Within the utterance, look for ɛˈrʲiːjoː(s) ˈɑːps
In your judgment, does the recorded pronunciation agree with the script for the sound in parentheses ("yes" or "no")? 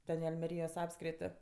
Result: yes